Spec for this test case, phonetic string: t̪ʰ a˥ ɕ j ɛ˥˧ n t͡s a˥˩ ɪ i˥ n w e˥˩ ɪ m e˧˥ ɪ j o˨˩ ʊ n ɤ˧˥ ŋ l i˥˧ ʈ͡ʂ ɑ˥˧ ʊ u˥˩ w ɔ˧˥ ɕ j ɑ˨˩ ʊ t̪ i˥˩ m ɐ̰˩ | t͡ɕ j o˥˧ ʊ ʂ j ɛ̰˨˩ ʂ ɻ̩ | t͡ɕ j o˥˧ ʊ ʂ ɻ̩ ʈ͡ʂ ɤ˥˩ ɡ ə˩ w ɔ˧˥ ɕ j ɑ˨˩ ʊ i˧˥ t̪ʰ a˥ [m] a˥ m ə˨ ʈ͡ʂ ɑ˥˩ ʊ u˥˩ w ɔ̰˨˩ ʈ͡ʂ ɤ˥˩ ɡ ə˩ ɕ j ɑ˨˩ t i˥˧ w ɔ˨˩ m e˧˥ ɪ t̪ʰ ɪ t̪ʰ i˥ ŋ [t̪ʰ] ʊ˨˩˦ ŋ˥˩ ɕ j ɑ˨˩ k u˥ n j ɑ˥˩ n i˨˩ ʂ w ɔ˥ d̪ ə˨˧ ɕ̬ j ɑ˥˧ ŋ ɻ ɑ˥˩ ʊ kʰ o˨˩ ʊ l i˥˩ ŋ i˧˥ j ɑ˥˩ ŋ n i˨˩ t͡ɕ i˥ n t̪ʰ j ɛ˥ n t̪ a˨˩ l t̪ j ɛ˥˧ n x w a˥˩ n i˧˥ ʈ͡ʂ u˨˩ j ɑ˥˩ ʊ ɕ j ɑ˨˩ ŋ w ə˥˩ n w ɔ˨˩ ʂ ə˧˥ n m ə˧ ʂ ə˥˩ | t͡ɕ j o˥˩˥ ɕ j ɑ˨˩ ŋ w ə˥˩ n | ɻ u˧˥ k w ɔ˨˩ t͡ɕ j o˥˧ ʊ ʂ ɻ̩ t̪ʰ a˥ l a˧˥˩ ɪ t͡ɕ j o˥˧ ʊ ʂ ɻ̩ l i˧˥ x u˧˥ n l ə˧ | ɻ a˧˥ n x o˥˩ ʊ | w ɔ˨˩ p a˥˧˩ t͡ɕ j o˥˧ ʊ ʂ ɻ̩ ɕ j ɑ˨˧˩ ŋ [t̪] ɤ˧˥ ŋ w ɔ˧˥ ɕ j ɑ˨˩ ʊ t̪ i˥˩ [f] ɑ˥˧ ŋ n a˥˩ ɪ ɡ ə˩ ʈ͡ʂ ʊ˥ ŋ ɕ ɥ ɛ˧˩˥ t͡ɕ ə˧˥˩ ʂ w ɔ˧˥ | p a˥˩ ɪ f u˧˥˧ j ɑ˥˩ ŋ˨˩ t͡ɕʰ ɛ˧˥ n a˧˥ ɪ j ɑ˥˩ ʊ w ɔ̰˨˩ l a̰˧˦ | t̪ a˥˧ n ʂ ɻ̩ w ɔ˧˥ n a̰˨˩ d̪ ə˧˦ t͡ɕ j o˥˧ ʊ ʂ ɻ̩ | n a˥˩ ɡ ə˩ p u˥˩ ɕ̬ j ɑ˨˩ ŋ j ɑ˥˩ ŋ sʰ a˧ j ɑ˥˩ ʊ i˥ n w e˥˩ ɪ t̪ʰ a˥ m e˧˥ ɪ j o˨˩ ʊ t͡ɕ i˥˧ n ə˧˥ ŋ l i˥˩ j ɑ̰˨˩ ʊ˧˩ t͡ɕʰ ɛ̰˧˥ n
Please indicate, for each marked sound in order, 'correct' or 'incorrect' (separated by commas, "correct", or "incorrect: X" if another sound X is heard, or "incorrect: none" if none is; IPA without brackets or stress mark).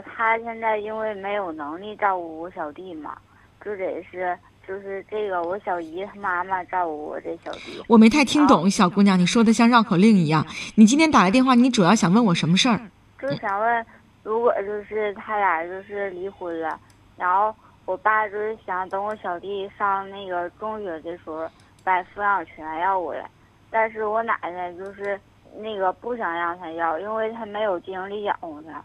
correct, incorrect: t̪, correct, incorrect: ʂ